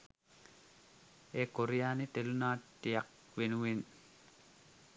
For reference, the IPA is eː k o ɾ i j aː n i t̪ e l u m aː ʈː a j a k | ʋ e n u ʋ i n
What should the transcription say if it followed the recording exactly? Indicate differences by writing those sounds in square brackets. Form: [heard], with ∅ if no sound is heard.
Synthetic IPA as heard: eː k o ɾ i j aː n i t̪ e l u [n] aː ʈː [i] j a k | ʋ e n u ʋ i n